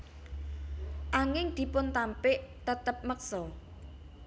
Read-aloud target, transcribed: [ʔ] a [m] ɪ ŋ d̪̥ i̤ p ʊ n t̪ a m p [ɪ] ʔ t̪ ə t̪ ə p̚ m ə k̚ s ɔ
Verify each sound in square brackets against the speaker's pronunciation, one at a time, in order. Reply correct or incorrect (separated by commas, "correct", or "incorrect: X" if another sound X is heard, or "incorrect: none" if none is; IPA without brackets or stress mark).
correct, incorrect: ŋ, correct